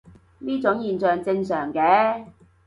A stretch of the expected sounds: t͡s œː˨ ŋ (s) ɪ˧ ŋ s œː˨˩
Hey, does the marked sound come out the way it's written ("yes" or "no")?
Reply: no